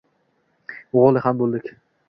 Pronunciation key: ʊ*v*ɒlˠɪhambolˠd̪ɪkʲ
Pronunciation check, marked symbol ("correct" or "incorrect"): incorrect